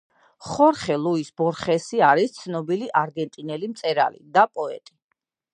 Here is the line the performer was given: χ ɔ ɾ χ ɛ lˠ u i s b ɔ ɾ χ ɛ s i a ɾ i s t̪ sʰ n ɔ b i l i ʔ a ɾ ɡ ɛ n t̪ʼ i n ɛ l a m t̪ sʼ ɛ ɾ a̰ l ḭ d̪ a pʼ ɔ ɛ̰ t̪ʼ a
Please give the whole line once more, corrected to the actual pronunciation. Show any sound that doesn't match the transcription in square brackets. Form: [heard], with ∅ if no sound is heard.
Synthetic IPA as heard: χ ɔ ɾ χ ɛ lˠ u i s b ɔ ɾ χ ɛ s i a ɾ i s t̪ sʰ n ɔ b i l i ʔ a ɾ ɡ ɛ n t̪ʼ i n ɛ l [i] m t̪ sʼ ɛ ɾ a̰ l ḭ d̪ a pʼ ɔ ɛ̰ t̪ʼ [i]